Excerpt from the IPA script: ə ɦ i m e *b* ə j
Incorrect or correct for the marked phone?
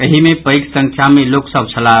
incorrect: p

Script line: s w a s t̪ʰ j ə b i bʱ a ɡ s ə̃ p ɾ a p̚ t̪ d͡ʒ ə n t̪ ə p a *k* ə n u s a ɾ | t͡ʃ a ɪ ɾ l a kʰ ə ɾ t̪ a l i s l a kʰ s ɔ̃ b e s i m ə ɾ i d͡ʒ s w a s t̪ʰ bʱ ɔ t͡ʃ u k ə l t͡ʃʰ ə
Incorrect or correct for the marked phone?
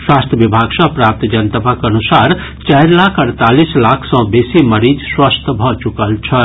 correct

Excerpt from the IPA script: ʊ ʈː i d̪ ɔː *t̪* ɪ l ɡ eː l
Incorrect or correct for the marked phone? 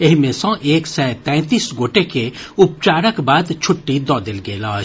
incorrect: d̪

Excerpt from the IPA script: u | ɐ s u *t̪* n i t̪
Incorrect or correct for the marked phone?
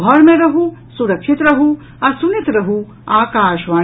incorrect: none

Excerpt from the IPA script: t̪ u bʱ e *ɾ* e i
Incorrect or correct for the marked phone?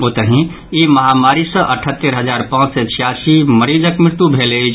incorrect: l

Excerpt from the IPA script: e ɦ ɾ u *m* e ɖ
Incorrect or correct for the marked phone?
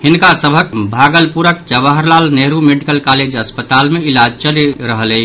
correct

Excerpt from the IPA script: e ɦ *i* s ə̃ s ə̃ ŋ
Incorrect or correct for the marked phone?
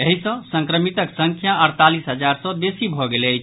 correct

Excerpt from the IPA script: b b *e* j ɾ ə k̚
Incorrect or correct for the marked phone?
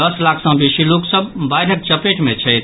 incorrect: a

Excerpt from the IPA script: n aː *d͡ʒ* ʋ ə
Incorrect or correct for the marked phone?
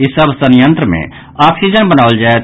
incorrect: none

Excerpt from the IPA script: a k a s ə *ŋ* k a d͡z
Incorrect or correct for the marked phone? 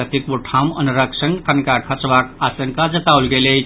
correct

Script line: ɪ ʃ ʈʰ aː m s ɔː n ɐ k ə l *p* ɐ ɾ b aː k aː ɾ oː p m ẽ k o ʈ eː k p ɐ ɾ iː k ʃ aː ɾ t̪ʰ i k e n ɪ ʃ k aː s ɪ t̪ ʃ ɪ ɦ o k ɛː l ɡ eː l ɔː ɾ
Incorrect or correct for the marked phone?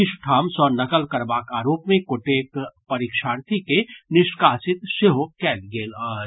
incorrect: k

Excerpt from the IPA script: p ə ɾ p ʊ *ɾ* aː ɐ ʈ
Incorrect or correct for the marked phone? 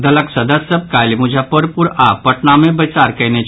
correct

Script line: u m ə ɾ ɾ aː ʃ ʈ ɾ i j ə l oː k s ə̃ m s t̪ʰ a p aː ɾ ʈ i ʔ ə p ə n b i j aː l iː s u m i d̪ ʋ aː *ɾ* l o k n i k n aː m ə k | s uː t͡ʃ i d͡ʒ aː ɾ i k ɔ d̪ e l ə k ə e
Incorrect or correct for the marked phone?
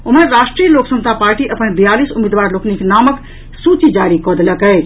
correct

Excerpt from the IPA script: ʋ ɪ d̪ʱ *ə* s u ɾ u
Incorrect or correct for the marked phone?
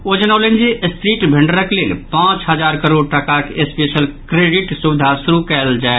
incorrect: a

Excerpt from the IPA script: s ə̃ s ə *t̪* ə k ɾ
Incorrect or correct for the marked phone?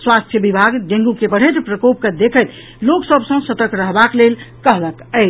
correct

